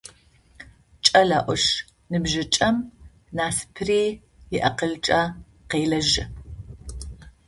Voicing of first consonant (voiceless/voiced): voiceless